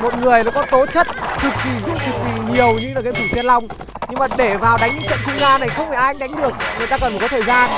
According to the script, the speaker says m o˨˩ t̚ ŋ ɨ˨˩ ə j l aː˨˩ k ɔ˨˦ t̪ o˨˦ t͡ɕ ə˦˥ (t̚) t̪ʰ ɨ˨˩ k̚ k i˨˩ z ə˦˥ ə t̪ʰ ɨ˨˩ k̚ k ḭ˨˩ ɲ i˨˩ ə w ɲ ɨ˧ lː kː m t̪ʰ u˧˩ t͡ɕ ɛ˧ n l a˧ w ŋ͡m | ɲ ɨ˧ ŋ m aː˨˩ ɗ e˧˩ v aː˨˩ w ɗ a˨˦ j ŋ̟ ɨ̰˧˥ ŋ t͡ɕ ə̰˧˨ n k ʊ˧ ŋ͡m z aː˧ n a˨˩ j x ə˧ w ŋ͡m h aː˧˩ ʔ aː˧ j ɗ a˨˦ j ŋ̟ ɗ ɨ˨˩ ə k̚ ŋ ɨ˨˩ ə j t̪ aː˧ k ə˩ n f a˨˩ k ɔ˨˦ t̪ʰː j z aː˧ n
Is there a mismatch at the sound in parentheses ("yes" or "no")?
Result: no